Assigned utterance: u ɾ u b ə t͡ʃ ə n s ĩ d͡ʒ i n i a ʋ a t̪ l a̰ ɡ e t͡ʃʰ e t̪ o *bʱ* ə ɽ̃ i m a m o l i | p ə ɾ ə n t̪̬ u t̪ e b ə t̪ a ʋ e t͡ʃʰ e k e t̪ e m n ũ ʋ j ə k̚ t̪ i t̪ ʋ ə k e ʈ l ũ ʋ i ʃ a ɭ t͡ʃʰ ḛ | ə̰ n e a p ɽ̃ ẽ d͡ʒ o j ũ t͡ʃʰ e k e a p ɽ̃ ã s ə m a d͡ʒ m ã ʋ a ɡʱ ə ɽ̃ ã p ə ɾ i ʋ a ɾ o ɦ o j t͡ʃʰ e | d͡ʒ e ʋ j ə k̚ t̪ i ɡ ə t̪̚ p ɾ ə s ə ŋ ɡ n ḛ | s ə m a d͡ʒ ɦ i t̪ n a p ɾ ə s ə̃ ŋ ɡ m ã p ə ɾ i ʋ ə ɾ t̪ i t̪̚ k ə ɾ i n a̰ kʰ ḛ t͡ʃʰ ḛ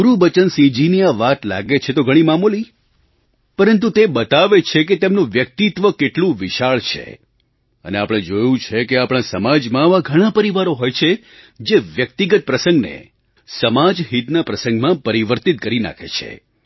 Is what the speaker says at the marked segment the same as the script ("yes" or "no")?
no